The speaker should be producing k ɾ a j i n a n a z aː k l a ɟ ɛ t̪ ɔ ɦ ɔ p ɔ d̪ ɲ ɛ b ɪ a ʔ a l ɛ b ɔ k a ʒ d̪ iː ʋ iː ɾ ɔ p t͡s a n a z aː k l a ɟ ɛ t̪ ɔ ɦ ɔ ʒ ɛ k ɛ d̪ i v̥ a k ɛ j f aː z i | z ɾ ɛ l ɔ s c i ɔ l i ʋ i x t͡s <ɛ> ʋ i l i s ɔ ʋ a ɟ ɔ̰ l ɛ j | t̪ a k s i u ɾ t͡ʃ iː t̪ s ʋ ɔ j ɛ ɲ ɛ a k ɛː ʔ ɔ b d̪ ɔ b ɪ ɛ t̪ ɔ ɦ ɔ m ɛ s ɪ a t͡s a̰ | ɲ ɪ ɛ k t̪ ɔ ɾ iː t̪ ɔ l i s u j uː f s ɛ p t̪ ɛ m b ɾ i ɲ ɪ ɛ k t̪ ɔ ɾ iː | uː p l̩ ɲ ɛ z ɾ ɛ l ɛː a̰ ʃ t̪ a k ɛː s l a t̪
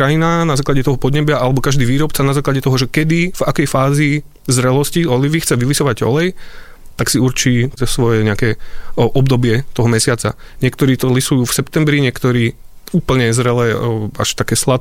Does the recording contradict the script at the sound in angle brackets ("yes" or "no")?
no